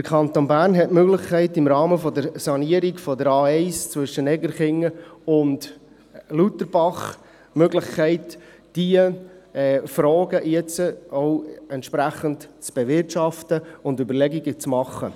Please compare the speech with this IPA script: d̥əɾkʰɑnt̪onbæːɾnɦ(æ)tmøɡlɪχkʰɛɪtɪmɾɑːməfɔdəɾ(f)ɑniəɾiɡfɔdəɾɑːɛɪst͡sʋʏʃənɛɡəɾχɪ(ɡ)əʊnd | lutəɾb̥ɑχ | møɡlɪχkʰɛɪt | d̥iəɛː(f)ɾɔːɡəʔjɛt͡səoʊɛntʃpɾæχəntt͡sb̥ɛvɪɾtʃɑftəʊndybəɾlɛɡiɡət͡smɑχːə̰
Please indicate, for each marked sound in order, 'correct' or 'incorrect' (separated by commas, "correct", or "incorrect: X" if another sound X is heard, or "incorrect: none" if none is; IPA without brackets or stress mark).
incorrect: ɛ, incorrect: s, incorrect: ŋ, correct